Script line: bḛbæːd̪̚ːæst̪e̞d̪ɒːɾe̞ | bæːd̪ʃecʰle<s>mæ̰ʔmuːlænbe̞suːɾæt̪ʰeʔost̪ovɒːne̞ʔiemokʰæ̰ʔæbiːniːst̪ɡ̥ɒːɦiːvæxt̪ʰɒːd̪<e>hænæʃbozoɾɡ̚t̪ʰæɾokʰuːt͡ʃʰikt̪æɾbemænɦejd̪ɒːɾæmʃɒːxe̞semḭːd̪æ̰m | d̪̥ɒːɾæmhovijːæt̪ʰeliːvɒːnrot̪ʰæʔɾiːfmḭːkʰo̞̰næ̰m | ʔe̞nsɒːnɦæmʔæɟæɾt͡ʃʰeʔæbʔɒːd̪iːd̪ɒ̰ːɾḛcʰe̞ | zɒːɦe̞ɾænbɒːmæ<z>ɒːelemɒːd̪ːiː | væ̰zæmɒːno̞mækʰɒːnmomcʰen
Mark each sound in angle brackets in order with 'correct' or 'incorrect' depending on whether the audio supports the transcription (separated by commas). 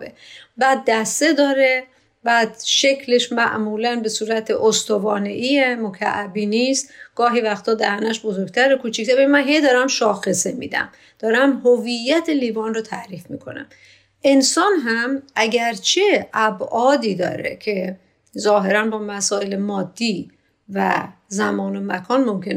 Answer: incorrect, incorrect, incorrect